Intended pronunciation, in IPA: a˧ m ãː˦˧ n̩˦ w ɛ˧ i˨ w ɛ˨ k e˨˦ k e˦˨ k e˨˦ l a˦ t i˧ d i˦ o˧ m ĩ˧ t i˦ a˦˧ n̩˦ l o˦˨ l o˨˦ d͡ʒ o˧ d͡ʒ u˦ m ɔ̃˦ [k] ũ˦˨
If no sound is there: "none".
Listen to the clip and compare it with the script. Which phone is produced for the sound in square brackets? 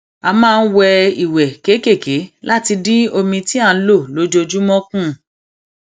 k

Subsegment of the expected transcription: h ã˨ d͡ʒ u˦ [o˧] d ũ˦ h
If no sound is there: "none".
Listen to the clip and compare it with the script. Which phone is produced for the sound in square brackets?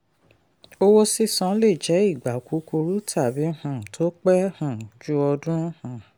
ɔ˧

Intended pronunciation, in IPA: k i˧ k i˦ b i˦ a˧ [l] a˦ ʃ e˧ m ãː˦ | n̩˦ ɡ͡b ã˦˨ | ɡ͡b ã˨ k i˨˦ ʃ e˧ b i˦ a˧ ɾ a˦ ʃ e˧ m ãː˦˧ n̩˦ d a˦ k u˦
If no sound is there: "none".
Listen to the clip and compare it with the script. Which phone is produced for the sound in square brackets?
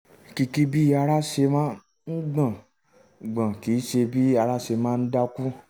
ɾ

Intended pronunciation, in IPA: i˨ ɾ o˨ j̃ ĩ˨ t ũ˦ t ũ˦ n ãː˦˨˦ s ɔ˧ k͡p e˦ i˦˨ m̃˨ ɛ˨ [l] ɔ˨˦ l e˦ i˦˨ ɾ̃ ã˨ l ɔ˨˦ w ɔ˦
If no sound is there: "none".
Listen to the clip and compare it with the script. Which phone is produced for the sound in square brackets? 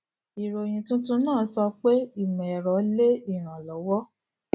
ɾ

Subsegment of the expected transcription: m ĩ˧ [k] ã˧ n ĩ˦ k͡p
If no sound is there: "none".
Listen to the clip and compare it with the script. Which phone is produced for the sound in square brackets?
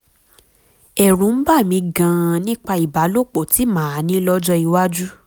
ɡ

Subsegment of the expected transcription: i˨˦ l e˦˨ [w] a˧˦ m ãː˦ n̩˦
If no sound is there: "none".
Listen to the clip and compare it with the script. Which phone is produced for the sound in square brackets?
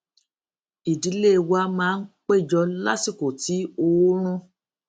w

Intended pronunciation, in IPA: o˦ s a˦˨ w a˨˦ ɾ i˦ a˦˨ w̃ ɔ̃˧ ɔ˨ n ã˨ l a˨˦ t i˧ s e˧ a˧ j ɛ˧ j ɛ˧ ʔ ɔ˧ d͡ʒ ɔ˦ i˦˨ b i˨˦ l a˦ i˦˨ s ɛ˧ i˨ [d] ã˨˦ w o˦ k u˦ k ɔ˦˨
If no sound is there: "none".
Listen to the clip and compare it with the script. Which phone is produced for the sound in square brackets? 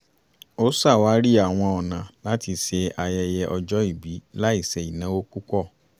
n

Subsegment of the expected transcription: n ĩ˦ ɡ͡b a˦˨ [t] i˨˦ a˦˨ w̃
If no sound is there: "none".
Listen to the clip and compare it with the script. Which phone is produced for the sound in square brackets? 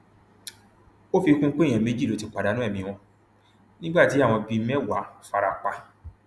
t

